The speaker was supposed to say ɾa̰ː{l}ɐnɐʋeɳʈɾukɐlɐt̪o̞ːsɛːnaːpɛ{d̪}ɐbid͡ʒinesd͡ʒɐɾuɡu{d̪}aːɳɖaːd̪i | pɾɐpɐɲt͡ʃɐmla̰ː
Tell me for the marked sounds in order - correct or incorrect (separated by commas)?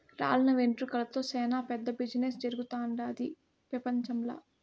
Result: correct, incorrect, incorrect